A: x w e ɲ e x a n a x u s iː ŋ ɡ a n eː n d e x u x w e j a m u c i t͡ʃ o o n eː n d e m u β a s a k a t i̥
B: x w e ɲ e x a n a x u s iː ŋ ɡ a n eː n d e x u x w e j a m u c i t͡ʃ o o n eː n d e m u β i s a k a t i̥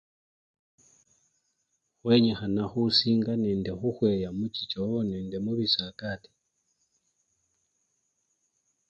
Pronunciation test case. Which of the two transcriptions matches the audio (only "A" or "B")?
B